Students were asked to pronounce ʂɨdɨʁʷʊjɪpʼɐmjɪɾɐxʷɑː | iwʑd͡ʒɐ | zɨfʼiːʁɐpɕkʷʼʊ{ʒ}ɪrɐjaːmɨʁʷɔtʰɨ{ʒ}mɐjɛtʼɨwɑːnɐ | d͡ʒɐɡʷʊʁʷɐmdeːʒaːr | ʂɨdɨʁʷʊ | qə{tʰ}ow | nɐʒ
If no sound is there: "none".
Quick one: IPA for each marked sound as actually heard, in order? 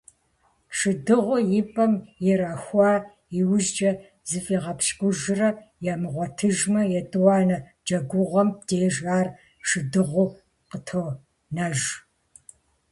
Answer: ʒ, ʒ, tʰ

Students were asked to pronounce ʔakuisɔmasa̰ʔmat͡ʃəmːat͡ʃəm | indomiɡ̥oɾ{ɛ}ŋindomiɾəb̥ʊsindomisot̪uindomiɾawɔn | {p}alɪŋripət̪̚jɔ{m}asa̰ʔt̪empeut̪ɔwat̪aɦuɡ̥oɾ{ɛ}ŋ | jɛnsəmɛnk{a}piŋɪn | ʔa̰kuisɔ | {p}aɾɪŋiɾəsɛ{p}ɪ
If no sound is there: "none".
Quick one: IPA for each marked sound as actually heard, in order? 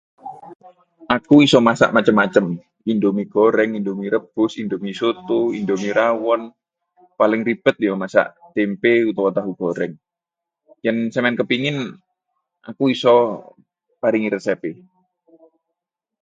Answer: ɛ, p, m, ɛ, ə, p, p

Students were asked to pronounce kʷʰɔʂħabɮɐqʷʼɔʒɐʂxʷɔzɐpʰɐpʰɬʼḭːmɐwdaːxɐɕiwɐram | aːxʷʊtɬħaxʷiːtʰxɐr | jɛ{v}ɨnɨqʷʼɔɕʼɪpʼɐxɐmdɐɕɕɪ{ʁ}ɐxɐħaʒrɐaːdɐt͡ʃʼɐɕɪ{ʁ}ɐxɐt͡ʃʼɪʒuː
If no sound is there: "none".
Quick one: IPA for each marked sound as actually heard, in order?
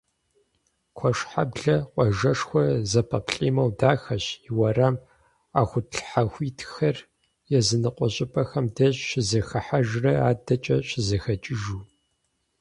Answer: z, z, z

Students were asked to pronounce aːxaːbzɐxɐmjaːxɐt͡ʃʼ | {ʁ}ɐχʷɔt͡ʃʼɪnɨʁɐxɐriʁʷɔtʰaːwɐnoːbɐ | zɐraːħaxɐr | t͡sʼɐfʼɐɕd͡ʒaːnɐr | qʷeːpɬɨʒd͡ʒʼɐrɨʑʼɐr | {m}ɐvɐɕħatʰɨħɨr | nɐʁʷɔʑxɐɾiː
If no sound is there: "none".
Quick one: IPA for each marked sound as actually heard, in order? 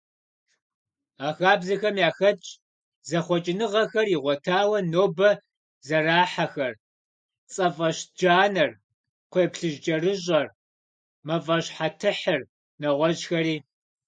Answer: z, m

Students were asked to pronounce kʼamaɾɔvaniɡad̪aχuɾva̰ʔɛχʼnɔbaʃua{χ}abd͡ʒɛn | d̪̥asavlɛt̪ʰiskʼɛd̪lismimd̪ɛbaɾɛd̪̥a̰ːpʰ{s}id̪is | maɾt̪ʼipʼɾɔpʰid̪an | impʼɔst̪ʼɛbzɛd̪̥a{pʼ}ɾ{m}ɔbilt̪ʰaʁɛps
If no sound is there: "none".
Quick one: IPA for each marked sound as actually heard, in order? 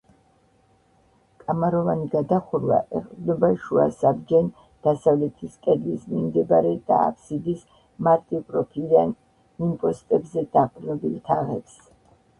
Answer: s, s, qʼ, n

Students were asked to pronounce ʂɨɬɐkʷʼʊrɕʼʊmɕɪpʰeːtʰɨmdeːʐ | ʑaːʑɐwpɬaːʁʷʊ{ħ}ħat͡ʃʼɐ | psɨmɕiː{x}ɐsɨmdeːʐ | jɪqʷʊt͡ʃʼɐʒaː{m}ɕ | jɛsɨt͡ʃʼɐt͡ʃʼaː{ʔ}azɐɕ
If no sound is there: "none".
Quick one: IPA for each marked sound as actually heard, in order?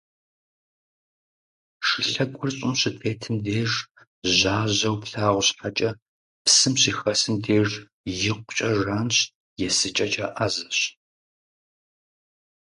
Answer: ɕ, x, n, ʔ

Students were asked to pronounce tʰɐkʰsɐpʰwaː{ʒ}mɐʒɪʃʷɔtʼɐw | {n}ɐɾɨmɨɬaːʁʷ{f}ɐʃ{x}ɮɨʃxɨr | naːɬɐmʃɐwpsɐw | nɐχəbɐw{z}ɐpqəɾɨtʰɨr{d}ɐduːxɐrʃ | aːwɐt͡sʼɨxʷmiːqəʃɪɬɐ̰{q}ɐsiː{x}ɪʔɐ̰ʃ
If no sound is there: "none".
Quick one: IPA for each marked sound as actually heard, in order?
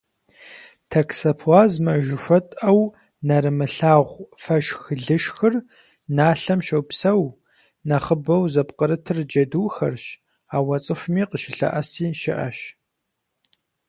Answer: z, n, f, x, z, d͡ʒ, ʔ, ʃ

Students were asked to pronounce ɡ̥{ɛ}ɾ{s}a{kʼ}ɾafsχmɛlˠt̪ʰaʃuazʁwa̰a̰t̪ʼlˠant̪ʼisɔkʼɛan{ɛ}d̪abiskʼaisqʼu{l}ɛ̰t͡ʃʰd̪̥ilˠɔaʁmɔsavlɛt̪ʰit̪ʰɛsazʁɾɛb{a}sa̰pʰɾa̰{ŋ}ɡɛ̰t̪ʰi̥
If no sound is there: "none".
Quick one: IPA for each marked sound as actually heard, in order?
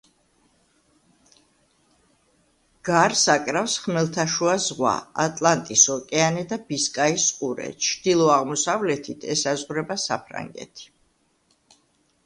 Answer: a, s, kʼ, ɛ, ɾ, a, ŋ

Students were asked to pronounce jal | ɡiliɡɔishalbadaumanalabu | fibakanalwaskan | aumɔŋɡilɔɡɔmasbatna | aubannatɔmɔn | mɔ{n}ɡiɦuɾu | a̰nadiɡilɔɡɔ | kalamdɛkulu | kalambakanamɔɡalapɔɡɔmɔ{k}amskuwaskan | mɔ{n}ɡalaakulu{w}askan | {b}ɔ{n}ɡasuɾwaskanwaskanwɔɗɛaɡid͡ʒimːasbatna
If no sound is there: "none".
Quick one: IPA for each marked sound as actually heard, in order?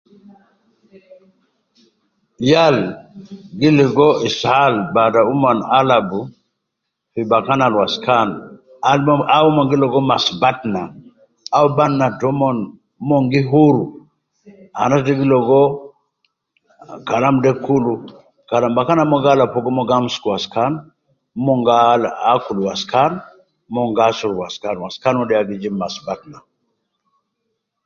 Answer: ŋ, ɡ, ŋ, w, m, ŋ

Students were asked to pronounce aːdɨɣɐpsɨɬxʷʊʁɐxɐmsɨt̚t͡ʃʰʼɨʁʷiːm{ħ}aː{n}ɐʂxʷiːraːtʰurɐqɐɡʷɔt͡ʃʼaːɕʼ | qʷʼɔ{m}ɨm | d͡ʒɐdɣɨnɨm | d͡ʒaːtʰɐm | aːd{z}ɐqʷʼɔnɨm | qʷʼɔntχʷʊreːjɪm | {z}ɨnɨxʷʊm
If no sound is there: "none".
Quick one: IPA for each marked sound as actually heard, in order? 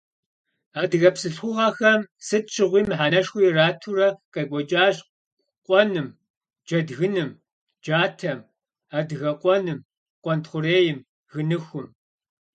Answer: ħ, n, n, ɣ, ɣ

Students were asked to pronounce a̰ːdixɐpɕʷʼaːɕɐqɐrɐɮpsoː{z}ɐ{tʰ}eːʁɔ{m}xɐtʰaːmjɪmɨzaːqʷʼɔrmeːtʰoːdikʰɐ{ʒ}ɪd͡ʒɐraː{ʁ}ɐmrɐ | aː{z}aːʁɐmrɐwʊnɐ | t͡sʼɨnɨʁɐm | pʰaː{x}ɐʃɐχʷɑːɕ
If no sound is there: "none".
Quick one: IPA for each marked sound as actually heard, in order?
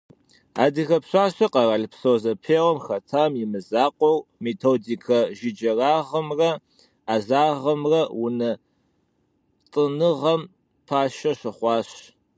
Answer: z, pʰ, m, ʒ, ʁ, z, ʃ

